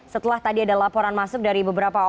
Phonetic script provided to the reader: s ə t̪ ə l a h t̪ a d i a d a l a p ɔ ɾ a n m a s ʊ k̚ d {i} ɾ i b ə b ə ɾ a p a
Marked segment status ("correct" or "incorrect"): incorrect